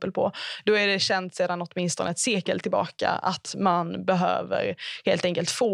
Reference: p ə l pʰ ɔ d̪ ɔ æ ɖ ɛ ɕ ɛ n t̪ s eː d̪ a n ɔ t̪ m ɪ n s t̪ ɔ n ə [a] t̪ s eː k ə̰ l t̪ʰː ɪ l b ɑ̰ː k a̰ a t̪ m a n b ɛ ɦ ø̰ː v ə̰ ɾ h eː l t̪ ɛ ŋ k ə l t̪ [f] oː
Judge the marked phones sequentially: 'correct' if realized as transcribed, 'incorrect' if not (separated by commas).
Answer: incorrect, correct